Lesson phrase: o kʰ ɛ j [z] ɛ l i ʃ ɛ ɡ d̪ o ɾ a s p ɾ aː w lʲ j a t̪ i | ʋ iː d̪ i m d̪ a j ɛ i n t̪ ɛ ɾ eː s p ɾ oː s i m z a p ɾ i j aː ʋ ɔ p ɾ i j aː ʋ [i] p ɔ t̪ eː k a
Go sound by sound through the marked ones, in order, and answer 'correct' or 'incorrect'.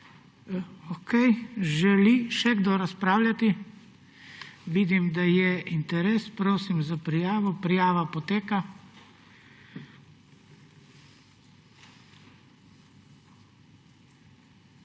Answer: incorrect, incorrect

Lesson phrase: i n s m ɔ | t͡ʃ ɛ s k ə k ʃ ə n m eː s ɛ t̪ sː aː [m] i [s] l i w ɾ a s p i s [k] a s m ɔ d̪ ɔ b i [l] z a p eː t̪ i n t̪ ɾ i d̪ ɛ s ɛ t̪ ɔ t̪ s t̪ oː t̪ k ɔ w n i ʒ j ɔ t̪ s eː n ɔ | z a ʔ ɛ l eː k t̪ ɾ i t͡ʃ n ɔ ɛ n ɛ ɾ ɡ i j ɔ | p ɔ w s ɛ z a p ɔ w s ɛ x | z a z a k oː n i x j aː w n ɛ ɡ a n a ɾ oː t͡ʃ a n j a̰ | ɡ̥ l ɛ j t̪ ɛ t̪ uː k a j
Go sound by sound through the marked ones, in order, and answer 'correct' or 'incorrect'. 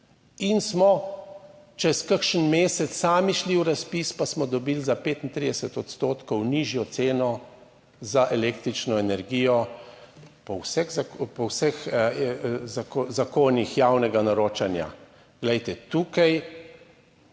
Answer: correct, incorrect, incorrect, correct

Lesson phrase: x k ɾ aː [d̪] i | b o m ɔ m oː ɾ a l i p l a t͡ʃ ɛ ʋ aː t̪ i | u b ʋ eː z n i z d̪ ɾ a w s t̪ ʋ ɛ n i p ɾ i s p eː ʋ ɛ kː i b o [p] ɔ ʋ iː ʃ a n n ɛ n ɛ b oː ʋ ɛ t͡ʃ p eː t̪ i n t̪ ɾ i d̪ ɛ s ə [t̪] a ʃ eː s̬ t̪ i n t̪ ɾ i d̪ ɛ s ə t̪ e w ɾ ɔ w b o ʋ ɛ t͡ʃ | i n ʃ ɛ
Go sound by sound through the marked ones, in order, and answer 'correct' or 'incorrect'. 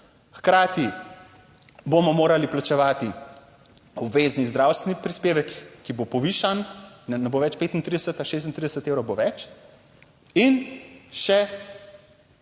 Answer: incorrect, correct, correct

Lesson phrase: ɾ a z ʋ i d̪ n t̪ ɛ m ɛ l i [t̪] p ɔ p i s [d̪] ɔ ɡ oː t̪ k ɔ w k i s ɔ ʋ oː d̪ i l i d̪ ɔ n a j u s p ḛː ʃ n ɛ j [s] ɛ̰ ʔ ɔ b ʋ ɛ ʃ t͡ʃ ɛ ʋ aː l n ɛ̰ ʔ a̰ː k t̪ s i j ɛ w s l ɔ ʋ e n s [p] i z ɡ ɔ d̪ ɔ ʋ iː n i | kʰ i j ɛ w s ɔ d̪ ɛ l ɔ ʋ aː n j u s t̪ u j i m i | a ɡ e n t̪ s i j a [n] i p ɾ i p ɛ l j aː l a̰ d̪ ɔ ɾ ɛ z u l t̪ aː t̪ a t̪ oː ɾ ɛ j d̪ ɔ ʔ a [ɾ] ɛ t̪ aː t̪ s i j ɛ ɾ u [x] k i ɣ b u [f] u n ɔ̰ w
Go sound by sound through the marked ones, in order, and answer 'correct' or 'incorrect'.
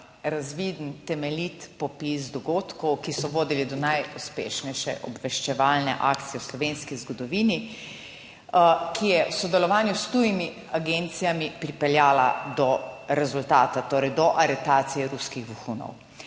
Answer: correct, correct, incorrect, incorrect, incorrect, correct, incorrect, incorrect

